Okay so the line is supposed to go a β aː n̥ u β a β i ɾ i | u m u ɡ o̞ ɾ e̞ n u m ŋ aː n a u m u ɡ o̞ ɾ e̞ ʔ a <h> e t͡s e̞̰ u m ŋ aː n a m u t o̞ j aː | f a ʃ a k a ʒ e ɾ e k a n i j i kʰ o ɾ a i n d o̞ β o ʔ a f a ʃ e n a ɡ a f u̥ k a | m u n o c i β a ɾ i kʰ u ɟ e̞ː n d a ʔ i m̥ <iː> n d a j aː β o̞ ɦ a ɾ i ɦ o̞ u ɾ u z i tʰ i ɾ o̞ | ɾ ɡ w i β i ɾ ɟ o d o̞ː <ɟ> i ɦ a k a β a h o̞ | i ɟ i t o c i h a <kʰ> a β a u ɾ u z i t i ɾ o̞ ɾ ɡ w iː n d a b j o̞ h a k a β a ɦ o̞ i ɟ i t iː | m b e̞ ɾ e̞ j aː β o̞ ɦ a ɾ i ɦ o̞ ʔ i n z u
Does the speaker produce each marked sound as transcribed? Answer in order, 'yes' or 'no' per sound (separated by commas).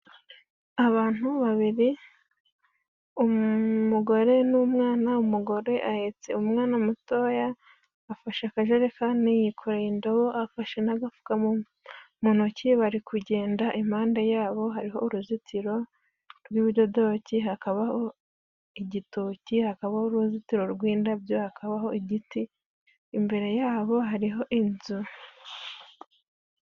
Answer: yes, no, no, no